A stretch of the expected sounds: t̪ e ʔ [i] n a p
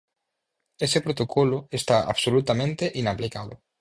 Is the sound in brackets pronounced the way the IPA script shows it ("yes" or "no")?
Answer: yes